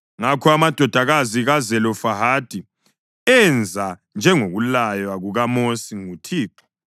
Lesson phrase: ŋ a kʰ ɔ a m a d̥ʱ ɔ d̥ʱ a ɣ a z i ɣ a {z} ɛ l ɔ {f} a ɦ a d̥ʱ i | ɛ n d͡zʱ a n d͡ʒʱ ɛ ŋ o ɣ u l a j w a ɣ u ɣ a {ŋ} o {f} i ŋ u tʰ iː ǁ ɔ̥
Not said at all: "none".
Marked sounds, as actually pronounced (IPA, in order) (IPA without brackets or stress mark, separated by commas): z, f, m, s